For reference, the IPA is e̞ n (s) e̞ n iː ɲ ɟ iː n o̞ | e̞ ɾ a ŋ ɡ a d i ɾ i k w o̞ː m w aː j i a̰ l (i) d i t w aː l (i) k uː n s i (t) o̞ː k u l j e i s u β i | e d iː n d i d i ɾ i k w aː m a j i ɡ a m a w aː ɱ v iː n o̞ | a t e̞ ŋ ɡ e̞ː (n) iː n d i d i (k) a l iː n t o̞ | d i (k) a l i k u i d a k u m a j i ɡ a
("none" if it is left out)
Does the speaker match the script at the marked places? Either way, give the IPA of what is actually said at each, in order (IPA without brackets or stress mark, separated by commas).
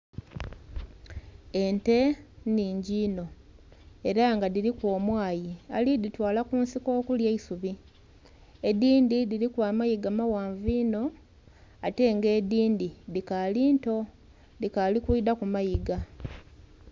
t, i, a, k, d, k, k